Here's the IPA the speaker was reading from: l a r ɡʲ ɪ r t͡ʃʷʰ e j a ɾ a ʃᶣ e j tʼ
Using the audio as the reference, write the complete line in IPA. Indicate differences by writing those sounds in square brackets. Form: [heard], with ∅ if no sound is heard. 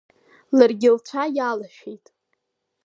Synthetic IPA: l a r ɡʲ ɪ [l] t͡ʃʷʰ [a] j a [l] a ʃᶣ e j tʼ